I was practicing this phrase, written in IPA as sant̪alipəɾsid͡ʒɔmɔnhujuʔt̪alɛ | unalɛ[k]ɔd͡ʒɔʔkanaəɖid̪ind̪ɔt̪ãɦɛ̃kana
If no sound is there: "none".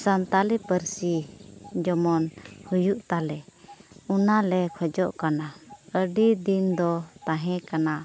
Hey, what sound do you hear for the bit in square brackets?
kʰ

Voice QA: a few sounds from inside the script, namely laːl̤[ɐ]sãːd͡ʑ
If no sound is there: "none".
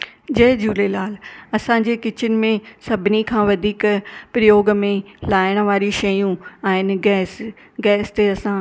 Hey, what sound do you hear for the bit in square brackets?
ɐ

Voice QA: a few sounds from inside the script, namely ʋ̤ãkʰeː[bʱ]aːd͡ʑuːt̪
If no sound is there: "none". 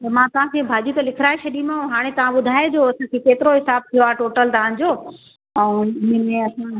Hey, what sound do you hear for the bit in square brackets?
bʱ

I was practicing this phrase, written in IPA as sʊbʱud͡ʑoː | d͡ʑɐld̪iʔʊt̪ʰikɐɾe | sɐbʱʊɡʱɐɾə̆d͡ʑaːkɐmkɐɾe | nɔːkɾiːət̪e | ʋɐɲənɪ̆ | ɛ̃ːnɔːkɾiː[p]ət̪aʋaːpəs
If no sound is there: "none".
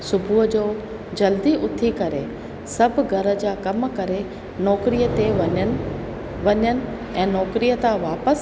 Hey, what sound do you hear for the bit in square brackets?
none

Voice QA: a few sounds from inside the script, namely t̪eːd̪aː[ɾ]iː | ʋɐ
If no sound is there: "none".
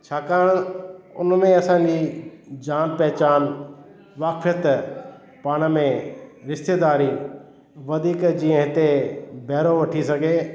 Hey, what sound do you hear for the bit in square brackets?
ɾ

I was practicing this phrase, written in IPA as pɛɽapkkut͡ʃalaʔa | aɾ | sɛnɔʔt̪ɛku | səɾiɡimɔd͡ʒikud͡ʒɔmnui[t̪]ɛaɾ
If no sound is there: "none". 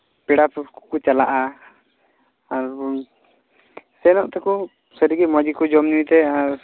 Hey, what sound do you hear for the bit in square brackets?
t̪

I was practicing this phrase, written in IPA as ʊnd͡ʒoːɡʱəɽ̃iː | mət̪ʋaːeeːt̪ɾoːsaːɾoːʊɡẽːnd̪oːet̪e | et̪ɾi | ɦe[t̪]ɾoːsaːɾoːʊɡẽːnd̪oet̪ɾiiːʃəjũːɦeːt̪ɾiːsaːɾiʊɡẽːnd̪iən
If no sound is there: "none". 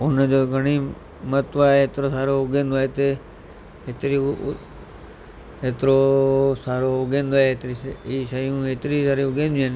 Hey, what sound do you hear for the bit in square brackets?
t̪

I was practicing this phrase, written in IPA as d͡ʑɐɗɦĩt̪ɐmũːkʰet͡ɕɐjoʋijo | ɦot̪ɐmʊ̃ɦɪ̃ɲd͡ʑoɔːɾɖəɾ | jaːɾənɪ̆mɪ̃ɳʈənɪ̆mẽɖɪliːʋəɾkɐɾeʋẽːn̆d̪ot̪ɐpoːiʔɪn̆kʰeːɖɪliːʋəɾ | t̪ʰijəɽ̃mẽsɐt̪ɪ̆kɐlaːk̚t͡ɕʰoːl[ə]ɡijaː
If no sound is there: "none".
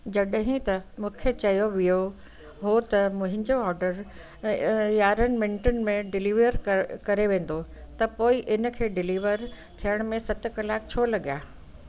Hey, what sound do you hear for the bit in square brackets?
ɐ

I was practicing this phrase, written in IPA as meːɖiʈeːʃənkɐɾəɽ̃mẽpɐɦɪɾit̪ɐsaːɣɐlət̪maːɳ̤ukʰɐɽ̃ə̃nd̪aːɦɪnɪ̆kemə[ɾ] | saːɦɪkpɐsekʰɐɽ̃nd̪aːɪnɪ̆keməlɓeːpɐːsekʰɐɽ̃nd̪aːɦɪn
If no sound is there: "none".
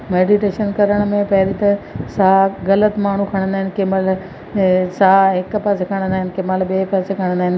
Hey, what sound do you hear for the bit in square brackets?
l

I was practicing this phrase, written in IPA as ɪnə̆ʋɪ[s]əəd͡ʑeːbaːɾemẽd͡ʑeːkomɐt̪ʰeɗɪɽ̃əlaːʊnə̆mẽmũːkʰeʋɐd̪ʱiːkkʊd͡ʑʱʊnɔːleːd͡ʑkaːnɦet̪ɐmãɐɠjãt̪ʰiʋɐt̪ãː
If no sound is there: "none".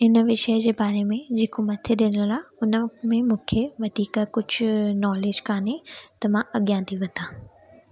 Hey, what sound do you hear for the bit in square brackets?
ʃ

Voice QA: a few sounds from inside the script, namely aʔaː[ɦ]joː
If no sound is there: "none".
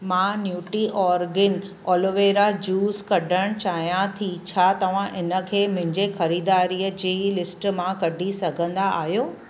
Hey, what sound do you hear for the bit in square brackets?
ɦ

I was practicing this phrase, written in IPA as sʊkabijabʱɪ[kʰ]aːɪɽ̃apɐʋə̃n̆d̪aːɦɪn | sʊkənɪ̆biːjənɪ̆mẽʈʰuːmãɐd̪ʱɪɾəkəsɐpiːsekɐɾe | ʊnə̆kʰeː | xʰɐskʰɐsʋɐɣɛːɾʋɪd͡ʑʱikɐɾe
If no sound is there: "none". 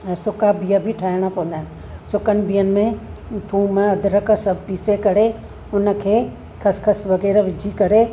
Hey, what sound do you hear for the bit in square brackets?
ʈʰ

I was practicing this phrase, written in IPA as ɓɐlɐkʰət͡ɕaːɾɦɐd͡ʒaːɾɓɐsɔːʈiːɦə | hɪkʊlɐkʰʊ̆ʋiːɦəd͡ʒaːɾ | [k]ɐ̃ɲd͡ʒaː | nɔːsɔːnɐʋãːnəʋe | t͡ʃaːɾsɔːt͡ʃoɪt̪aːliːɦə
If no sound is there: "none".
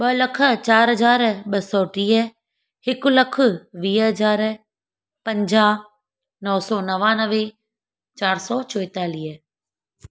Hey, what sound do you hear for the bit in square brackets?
p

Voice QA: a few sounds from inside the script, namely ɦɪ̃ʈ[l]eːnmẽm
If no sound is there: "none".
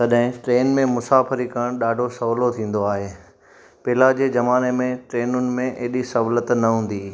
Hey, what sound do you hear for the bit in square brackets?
ɾ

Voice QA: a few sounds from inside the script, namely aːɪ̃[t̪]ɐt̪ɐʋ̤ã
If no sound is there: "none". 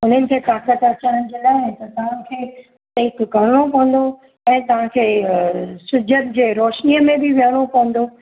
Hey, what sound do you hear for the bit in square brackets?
t̪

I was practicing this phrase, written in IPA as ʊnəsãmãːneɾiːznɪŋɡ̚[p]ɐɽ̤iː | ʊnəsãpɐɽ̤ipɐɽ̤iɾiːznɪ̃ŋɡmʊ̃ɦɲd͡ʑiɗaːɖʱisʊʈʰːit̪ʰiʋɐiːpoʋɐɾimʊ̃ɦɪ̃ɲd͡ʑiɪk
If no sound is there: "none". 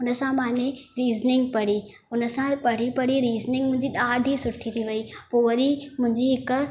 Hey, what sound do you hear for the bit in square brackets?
p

